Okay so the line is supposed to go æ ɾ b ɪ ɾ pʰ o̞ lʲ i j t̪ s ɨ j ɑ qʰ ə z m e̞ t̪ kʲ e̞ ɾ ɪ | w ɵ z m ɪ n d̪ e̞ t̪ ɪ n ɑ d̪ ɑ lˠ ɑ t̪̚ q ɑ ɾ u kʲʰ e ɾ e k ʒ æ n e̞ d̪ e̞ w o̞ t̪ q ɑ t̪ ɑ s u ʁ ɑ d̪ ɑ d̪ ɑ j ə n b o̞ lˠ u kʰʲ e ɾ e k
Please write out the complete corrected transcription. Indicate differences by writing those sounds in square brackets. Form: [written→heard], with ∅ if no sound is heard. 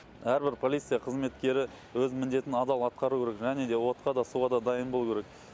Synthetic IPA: æ ɾ b ɪ ɾ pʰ o̞ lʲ i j t̪ s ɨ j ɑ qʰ ə z m e̞ t̪ kʲ e̞ ɾ ɪ | w ɵ z m ɪ n d̪ e̞ t̪ ɪ n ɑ d̪ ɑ lˠ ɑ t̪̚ q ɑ ɾ u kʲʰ e ɾ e k ʒ æ n e̞ d̪ e̞ w o̞ t̪ q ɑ [t̪→d̪] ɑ s u ʁ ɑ d̪ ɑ d̪ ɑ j ə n b o̞ lˠ u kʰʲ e ɾ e k